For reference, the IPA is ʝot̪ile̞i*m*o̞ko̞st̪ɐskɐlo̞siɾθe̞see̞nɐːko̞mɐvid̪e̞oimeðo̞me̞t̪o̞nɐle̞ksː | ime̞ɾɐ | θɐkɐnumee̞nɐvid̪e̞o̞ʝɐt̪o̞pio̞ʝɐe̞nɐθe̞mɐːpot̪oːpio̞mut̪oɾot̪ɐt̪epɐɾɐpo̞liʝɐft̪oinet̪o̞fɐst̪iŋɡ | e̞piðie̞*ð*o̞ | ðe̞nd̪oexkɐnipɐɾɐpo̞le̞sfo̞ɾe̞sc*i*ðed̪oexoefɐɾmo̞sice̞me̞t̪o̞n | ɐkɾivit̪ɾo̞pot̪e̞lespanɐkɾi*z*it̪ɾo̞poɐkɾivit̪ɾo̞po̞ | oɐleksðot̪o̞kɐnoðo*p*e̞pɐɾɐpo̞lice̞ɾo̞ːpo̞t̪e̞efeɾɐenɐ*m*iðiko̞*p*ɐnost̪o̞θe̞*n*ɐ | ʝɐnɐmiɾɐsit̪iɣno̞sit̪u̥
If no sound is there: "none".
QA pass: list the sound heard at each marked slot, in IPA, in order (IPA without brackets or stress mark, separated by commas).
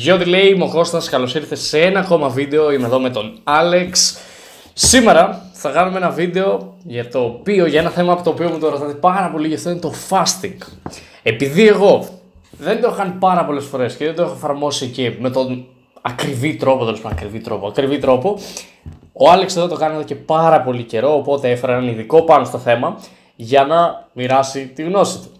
m, ɣ, e, v, c, n, p, m